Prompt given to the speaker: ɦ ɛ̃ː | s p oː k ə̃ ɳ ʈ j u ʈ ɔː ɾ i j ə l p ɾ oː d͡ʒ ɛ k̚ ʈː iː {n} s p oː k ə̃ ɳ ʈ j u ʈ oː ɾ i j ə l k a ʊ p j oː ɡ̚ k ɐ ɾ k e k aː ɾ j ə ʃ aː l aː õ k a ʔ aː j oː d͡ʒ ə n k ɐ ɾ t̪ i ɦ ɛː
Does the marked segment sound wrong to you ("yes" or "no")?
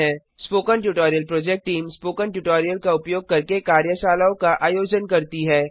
yes